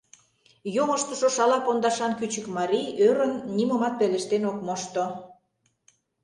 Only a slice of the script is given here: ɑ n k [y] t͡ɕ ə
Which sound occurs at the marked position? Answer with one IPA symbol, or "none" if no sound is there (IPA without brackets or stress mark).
y